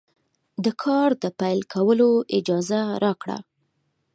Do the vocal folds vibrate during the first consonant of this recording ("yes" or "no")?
yes